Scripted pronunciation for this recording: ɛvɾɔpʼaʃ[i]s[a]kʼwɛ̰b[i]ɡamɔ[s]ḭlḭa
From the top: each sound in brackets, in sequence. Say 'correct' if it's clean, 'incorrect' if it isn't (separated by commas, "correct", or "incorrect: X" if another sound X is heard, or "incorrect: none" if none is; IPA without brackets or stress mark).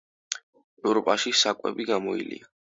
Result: correct, correct, correct, incorrect: none